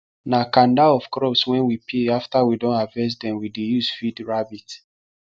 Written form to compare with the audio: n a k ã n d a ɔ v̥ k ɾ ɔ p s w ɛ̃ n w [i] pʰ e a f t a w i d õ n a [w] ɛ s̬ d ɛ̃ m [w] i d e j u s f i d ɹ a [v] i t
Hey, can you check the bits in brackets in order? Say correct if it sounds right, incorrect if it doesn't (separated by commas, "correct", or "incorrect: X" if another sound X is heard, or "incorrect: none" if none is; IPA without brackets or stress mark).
correct, incorrect: v, correct, incorrect: b